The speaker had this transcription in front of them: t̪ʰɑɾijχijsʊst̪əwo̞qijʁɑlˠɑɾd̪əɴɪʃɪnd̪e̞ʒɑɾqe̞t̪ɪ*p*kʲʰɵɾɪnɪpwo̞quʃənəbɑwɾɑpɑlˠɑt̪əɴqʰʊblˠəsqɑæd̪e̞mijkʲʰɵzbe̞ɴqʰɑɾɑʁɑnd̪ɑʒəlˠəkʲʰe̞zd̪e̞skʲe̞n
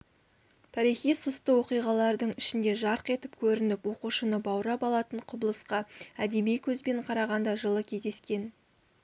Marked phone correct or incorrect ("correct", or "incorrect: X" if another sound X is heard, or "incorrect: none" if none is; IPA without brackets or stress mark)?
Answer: correct